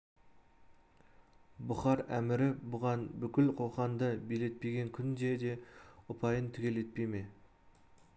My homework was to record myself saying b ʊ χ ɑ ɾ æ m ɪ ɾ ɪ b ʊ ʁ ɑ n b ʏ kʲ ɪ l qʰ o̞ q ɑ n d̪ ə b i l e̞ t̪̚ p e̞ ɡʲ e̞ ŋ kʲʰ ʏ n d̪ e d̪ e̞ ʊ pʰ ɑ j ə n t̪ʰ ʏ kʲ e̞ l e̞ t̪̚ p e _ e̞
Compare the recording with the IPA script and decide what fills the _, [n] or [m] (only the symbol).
m